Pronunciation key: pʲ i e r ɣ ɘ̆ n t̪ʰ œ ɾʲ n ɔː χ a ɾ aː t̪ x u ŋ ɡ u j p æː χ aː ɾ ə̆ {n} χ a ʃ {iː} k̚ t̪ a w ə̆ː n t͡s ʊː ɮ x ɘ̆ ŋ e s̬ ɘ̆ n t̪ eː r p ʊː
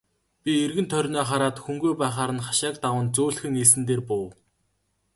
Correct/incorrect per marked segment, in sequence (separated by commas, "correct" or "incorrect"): correct, incorrect